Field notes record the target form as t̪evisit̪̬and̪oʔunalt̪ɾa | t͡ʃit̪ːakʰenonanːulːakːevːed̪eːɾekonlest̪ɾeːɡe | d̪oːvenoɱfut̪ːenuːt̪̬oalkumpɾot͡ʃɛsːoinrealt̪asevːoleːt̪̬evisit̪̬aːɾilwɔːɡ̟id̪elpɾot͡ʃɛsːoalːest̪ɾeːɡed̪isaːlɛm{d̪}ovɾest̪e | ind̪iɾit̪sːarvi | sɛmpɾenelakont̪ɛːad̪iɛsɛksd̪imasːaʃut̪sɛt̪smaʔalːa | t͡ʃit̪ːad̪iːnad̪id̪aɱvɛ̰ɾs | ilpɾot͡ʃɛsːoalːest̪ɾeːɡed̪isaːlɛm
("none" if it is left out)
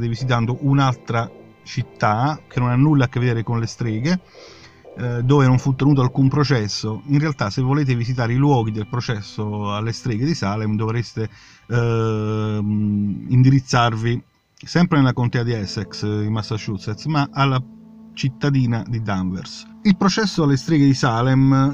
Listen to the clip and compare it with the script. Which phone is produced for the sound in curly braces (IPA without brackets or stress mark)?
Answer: d̪